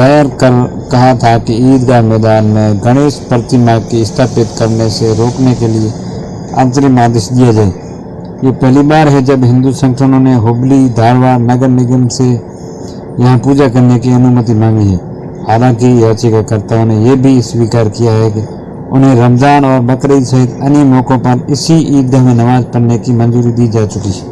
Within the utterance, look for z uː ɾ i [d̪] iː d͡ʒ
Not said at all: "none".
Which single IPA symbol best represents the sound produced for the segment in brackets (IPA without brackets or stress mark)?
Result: d̪